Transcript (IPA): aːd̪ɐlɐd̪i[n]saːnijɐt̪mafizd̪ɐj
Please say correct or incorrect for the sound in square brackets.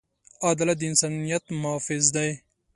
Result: correct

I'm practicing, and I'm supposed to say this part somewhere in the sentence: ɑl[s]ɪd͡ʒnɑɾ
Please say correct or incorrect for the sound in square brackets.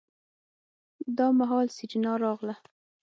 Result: correct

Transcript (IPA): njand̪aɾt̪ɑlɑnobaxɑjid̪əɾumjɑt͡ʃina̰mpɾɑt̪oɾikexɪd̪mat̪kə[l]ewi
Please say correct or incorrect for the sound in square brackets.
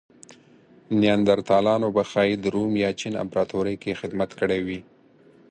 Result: incorrect: ɽ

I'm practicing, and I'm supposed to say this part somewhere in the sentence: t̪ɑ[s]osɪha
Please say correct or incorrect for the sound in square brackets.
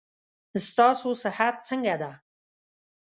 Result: correct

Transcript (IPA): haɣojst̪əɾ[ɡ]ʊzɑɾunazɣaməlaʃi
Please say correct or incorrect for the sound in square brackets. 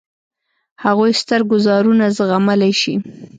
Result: correct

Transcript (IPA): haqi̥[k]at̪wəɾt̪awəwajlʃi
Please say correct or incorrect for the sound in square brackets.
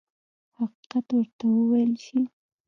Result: incorrect: q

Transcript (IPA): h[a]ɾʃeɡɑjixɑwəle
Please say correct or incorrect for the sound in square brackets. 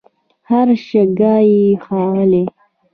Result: correct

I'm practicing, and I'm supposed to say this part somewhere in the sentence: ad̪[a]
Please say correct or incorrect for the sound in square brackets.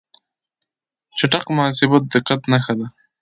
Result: correct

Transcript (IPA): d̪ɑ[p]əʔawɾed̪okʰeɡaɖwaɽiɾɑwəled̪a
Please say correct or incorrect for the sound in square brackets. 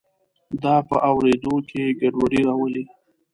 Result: correct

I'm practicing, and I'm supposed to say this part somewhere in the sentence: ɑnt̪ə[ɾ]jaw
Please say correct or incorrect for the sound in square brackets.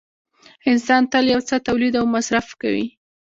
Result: incorrect: l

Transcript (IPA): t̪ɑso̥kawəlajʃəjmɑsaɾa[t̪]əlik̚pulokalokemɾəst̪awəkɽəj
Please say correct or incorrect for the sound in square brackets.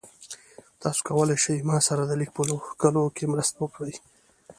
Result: incorrect: d̪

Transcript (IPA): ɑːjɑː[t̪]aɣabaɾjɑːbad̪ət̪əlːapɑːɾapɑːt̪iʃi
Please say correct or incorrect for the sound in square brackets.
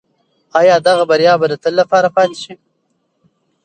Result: incorrect: d̪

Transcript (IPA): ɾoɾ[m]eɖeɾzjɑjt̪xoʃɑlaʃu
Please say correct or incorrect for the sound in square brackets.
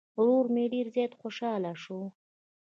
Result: correct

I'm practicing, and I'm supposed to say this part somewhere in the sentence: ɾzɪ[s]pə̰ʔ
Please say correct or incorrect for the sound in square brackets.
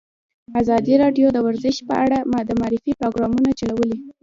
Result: incorrect: ʃ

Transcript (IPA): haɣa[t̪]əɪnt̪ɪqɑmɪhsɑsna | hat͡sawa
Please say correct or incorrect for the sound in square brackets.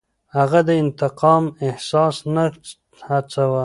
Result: incorrect: d̪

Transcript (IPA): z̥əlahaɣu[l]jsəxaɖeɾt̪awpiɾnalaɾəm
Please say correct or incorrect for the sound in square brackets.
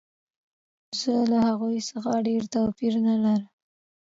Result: incorrect: none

